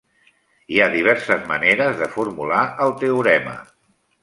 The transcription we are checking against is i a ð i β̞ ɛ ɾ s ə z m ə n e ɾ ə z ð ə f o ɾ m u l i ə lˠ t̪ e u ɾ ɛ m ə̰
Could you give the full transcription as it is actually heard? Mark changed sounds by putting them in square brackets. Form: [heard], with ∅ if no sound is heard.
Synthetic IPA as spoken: i a ð i β̞ ɛ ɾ s ə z m ə n e ɾ ə z ð ə f [u] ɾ m u l [a] ə lˠ t̪ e u ɾ ɛ m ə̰